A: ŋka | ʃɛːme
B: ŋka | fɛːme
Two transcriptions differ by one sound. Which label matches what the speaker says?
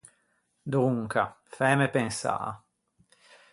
B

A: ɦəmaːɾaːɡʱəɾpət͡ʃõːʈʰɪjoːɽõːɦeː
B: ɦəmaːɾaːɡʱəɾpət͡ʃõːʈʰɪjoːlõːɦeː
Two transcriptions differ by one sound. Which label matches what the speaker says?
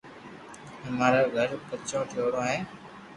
A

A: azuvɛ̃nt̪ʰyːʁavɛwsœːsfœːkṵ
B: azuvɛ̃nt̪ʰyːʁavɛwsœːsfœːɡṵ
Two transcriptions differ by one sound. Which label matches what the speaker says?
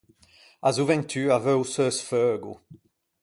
B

